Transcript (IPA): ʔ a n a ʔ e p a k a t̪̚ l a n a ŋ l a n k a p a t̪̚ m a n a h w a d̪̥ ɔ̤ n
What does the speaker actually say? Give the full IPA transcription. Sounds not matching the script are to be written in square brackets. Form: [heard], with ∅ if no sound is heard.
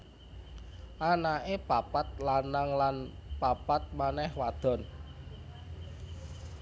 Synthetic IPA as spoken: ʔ a n a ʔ e p a [p] a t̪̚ l a n a ŋ l a n [p] a p a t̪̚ m a n [ɛ] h w a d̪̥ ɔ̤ n

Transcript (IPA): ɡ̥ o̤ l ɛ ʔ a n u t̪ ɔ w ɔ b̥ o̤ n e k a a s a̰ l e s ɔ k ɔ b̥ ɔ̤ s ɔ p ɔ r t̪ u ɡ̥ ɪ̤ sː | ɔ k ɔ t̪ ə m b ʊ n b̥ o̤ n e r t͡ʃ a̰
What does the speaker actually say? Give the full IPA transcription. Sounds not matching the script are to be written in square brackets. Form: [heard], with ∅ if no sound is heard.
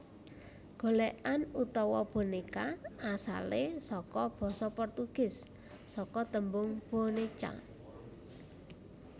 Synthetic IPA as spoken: ɡ̥ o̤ l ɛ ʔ a n u t̪ ɔ w ɔ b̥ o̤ n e k a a s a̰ l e s ɔ k ɔ b̥ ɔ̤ s ɔ p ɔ r t̪ u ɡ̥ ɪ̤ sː | ɔ k ɔ t̪ ə m b ʊ [ŋ] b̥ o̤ n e [∅] t͡ʃ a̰

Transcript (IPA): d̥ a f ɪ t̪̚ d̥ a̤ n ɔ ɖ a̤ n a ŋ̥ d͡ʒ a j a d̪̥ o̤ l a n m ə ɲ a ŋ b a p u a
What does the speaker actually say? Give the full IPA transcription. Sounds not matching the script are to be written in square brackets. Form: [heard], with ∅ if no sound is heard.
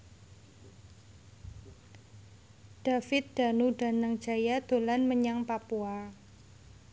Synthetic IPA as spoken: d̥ a f ɪ t̪̚ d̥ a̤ n [u] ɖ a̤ n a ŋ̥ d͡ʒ a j a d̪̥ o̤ l a n m ə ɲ a ŋ [p] a p u a

